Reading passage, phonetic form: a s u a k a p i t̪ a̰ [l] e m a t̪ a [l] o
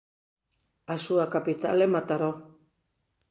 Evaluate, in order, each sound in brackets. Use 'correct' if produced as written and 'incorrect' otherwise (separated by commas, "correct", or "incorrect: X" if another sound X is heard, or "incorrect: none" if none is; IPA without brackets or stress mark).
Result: correct, incorrect: ɾ